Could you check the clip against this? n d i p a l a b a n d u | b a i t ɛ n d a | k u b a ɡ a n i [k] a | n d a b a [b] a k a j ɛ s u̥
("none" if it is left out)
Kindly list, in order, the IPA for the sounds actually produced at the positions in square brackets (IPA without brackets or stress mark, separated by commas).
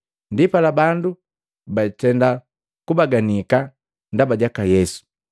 k, ɟ